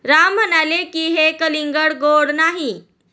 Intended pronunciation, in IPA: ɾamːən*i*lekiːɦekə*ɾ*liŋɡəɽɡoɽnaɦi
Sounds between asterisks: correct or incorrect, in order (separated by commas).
incorrect, incorrect